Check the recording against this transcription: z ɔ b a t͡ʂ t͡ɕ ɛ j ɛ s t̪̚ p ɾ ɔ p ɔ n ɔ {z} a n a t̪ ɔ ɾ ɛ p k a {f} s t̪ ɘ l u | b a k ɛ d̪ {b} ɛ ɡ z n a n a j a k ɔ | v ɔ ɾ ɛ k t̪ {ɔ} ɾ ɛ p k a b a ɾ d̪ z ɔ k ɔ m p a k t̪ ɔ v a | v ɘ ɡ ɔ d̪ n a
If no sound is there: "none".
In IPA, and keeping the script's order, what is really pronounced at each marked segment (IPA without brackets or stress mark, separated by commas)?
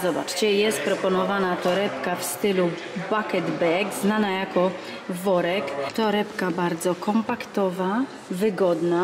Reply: v, f, b, ɔ